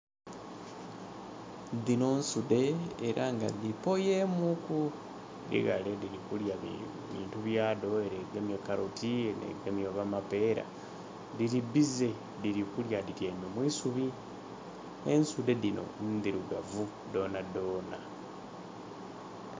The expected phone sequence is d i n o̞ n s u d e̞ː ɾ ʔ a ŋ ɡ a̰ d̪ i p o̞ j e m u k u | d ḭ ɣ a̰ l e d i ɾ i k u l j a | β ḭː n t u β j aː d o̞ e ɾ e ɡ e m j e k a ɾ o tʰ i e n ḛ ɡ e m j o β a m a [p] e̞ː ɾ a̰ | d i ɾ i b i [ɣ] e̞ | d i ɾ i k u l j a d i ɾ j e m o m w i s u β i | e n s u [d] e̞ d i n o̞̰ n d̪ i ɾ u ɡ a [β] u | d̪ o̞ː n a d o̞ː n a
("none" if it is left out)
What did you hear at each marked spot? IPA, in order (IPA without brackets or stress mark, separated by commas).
p, z, d, v